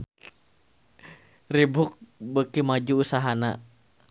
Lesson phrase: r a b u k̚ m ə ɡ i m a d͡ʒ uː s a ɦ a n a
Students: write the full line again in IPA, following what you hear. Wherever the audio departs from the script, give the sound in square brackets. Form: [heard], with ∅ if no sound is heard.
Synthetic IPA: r [i] b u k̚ [b] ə [k] i m a d͡ʒ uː s a ɦ a n a